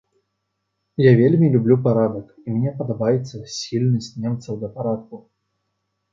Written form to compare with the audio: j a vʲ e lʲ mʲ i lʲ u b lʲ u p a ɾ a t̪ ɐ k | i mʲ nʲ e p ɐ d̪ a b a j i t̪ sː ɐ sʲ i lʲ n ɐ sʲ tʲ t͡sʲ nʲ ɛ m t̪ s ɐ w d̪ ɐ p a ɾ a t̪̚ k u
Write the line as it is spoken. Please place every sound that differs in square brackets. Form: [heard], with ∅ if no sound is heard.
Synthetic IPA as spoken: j a vʲ e lʲ mʲ i lʲ u b lʲ u p a ɾ a [d̪] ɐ k | i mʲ nʲ [ɛ] p ɐ d̪ a b a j [ɛ] t̪ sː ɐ sʲ i lʲ n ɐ sʲ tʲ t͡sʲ nʲ ɛ m t̪ s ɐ w d̪ ɐ p a ɾ a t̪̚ k u